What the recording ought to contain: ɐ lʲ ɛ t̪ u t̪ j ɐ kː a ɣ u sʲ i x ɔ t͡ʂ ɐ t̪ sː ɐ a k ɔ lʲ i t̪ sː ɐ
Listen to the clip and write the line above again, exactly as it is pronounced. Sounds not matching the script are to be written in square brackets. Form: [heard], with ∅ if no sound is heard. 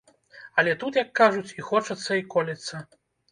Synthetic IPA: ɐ lʲ ɛ t̪ u t̪ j ɐ kː a [ʐ] u [t͡sʲ] i x ɔ t͡ʂ ɐ t̪ sː ɐ [i] k ɔ lʲ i t̪ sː ɐ